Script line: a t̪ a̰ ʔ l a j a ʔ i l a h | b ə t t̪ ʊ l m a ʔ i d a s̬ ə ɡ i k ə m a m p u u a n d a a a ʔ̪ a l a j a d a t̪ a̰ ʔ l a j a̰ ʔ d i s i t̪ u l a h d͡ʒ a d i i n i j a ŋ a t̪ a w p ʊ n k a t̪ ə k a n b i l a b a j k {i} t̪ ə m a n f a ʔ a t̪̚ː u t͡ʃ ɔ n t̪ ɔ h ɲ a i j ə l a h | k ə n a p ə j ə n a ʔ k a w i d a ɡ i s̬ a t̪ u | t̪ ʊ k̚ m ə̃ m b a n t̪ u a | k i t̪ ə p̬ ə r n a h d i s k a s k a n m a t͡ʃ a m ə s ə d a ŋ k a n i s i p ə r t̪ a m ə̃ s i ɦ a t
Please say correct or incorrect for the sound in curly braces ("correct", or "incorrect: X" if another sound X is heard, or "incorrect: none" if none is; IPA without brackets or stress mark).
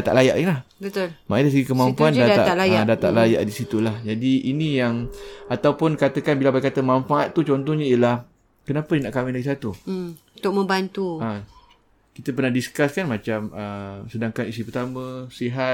incorrect: a